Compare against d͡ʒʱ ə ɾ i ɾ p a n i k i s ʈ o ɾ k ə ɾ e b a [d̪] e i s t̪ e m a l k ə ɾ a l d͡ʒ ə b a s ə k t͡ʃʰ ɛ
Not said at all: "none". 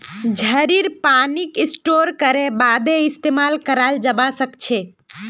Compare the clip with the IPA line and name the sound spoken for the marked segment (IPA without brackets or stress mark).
d̪